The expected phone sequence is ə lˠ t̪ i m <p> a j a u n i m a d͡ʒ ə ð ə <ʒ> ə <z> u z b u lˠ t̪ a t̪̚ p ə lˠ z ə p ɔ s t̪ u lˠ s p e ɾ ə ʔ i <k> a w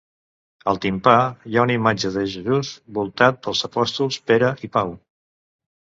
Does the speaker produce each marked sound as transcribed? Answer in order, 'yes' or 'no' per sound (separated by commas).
yes, yes, yes, no